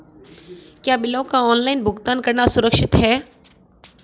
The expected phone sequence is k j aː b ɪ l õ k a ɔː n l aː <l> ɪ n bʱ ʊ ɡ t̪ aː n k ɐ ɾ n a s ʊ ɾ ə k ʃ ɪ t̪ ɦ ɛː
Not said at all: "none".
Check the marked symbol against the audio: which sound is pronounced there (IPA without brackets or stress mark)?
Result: none